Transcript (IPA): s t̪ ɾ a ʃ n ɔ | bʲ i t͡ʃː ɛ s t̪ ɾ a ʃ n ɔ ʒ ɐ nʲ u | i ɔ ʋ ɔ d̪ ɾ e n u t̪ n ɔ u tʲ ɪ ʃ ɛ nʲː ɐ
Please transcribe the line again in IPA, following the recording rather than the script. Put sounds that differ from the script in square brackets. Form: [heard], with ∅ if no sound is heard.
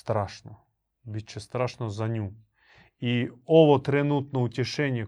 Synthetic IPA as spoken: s t̪ ɾ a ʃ n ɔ | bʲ i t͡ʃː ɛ s t̪ ɾ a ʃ n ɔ [z] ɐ nʲ u | i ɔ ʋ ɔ [t̪] ɾ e n u t̪ n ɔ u tʲ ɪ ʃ ɛ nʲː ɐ